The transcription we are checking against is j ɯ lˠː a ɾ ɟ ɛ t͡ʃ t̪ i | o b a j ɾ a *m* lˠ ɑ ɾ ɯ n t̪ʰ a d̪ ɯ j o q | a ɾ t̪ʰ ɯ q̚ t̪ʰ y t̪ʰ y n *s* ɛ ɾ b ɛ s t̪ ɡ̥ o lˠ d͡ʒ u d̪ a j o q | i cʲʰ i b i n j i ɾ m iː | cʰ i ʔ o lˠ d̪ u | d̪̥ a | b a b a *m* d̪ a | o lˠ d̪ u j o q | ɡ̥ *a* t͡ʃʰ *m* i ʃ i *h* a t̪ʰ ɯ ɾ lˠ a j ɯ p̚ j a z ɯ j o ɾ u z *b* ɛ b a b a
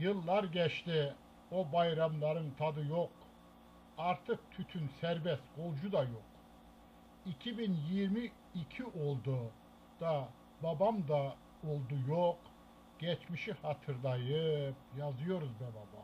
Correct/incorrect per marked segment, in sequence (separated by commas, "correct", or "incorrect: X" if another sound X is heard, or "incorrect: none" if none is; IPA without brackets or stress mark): correct, correct, correct, incorrect: ɛ, correct, correct, correct